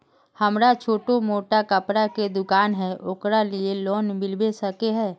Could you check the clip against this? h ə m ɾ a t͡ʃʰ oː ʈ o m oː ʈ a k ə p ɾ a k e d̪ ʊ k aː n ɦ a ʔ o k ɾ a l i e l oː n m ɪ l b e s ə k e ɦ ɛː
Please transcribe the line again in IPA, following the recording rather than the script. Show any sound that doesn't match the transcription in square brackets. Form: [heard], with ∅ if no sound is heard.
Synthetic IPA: h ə m ɾ a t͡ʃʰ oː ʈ o m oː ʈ a k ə p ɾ a k e d̪ ʊ k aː n ɦ [ɛ] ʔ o k ɾ a l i e l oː n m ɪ l b e s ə k e ɦ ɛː